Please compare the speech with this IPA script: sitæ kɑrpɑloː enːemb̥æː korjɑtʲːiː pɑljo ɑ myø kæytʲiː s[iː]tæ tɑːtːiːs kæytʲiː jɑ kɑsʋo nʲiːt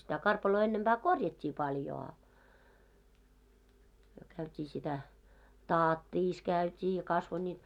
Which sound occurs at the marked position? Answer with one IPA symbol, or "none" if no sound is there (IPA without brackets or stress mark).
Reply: i